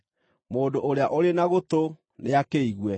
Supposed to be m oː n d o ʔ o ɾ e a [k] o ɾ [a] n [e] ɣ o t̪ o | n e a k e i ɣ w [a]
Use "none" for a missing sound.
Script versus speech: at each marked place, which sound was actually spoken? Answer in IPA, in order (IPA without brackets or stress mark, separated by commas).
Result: ʔ, e, a, ɛ